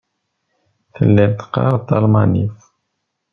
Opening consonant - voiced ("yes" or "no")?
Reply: no